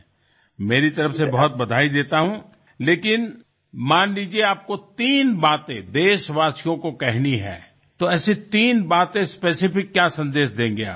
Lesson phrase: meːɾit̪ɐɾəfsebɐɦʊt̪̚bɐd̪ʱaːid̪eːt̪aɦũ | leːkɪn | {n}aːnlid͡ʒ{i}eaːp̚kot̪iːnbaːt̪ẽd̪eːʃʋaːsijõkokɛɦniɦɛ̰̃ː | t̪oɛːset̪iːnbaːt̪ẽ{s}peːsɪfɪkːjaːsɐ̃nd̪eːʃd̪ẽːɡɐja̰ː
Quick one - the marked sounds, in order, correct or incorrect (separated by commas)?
incorrect, correct, correct